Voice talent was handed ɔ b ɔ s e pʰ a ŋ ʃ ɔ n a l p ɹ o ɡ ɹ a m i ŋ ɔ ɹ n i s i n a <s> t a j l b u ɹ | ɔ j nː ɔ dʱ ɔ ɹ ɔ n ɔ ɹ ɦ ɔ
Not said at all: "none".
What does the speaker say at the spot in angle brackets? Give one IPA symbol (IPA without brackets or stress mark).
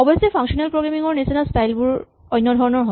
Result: s